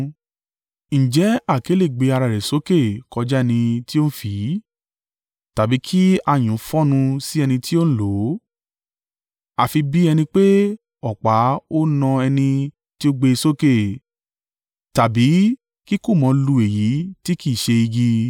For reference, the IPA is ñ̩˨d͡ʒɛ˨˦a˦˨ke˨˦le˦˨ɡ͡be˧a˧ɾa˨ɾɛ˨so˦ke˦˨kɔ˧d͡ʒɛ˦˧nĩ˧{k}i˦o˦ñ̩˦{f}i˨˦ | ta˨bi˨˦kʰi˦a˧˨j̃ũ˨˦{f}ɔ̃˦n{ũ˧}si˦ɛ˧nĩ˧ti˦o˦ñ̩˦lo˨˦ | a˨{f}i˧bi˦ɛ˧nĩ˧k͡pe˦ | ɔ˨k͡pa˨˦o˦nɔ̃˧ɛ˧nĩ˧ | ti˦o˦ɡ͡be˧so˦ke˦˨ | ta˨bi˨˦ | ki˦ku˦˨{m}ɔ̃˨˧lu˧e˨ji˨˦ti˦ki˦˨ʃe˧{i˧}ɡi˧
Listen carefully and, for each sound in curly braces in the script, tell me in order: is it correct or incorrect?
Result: incorrect: t, correct, correct, correct, correct, correct, correct

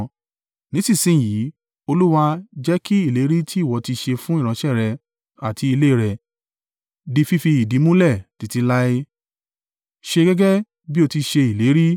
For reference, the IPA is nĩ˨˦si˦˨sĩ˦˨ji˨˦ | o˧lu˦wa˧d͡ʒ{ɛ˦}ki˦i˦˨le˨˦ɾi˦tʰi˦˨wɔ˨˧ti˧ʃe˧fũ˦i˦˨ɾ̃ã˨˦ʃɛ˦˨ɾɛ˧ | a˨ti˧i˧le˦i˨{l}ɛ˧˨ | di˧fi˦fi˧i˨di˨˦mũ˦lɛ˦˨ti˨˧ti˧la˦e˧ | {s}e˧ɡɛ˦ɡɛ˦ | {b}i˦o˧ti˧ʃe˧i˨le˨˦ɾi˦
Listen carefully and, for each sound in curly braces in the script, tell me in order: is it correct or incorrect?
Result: correct, incorrect: ɾ, incorrect: ʃ, correct

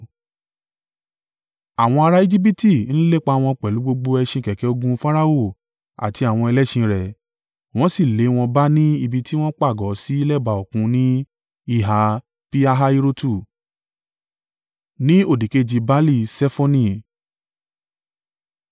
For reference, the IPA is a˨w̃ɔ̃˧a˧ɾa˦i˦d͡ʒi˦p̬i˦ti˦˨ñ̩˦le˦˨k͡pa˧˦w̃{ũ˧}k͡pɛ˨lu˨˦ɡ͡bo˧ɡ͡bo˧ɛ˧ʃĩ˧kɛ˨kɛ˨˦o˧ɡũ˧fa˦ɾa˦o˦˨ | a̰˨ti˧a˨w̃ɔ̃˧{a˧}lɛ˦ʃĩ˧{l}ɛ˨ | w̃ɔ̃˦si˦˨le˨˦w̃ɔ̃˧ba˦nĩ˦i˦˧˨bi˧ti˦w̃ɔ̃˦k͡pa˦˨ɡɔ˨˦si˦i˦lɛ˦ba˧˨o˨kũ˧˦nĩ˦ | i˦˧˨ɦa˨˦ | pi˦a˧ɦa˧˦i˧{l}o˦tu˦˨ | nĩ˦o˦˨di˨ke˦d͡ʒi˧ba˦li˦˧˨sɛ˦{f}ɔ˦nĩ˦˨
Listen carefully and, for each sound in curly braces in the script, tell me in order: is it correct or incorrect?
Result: incorrect: ɔ̃˧, incorrect: ɛ˧, incorrect: ɾ, incorrect: ɾ, correct

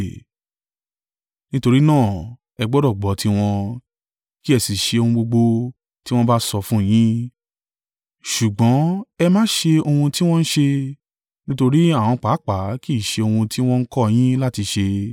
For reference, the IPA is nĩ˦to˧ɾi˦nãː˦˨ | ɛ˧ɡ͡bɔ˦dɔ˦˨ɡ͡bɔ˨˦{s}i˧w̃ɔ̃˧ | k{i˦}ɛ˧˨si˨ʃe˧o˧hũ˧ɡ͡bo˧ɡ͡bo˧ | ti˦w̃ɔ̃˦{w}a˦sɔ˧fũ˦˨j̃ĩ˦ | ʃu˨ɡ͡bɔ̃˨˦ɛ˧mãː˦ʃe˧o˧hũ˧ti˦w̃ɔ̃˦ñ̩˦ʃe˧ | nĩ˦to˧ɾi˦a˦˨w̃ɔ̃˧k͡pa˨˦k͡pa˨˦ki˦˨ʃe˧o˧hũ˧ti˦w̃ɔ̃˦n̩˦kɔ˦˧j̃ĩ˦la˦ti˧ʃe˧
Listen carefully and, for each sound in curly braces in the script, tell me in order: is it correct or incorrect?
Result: incorrect: t, correct, incorrect: b

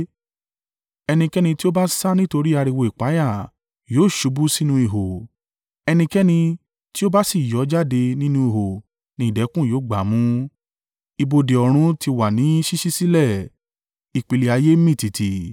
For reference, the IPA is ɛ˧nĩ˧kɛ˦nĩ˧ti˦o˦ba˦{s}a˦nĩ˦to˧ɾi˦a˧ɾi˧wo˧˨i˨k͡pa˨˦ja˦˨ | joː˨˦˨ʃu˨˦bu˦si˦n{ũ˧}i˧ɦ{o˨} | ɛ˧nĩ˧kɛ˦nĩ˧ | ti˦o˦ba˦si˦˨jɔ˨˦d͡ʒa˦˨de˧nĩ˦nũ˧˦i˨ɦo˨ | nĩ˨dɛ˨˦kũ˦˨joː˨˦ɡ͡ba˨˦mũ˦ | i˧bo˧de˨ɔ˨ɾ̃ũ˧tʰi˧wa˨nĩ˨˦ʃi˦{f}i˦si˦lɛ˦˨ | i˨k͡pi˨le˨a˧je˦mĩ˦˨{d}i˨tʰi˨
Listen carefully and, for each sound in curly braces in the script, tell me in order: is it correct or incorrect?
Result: correct, correct, correct, incorrect: ʃ, incorrect: t

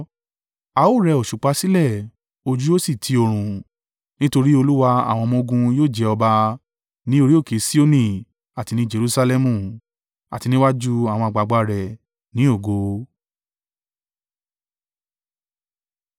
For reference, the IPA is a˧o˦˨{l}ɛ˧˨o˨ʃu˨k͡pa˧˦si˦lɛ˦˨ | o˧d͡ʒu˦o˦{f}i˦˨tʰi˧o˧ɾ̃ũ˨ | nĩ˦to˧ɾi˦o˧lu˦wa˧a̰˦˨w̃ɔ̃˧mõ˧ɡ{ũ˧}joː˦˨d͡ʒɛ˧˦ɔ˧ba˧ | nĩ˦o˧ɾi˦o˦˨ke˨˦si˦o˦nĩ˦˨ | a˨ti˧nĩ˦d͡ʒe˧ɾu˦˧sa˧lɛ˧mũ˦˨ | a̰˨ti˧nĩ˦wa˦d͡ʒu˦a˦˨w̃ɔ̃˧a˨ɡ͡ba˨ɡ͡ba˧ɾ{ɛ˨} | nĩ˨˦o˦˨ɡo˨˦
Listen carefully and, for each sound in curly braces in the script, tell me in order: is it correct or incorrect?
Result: incorrect: ɾ, incorrect: s, correct, correct

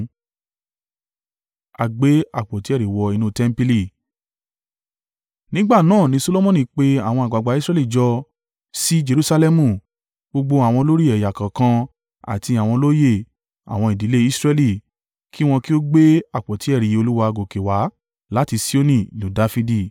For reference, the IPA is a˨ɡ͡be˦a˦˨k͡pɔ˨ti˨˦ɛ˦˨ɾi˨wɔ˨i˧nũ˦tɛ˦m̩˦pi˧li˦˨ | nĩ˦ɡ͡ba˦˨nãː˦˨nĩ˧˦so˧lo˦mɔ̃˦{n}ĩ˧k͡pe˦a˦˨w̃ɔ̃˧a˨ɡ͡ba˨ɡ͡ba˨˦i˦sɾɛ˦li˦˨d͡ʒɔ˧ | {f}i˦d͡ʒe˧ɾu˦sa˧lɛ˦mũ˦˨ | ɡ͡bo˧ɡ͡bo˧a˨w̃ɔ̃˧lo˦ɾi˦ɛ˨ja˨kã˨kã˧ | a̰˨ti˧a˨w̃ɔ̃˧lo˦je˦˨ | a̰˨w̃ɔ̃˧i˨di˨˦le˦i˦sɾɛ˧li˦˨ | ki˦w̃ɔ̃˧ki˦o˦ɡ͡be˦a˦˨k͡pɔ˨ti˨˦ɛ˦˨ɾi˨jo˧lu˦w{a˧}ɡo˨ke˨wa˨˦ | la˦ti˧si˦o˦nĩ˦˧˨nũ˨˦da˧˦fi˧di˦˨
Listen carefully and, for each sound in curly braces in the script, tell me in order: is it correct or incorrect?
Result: correct, incorrect: s, correct

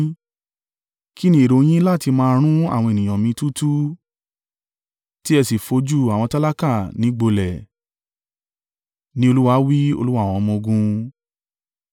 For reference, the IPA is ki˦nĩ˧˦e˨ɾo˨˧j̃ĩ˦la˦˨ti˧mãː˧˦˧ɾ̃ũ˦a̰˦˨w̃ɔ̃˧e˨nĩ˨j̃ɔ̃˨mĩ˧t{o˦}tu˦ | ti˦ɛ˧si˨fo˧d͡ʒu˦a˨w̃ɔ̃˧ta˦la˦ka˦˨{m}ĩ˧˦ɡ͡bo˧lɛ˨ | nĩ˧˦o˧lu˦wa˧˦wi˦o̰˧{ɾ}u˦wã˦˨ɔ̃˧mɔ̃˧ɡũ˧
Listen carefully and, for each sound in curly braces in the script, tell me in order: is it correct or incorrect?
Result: incorrect: u˦, incorrect: n, incorrect: l

